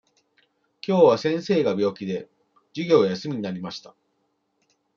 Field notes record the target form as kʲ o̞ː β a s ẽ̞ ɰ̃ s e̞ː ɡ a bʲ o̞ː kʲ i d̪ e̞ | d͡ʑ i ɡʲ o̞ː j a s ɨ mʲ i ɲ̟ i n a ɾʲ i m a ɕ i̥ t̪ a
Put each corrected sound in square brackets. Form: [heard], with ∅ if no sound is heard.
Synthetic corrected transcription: kʲ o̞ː β a s ẽ̞ ɰ̃ s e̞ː ɡ a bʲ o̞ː kʲ i d̪ e̞ | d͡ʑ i ɡʲ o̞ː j a s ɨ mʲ i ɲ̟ i n a ɾʲ i m a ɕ i̥ t̪ a